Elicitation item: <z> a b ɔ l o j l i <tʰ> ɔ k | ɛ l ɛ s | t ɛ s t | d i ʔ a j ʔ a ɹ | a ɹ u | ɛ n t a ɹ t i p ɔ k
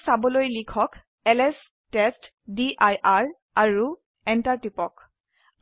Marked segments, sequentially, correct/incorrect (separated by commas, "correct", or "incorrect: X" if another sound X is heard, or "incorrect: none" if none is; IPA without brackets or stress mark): incorrect: s, incorrect: kʰ